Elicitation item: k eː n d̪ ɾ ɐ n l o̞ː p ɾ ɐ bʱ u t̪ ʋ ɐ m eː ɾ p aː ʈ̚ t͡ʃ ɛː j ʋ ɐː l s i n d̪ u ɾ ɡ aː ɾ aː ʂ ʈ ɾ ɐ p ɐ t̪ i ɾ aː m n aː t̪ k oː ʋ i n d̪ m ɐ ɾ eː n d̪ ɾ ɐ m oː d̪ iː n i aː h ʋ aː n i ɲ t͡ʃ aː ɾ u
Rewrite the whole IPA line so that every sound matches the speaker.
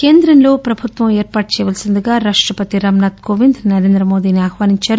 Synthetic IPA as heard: k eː n d̪ ɾ ɐ n l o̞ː p ɾ ɐ bʱ u t̪ ʋ ɐ m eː ɾ p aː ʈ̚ t͡ʃ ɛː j ʋ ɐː l s i n d̪ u ɡ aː ɾ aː ʂ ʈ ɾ ɐ p ɐ t̪ i ɾ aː m n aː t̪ k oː ʋ i n d̪ n ɐ ɾ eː n d̪ ɾ ɐ m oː d̪ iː n i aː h ʋ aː n i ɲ t͡ʃ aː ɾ u